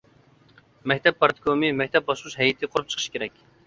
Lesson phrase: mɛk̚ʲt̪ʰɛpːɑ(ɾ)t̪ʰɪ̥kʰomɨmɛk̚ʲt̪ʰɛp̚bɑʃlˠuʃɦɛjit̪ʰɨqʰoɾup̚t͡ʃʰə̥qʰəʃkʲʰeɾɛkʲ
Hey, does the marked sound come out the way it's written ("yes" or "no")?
yes